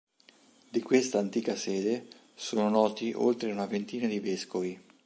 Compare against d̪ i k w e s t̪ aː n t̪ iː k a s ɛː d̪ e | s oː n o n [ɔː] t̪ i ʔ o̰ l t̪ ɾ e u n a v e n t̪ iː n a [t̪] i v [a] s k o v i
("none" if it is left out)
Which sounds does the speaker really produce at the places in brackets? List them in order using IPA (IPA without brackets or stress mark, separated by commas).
ɔː, d̪, e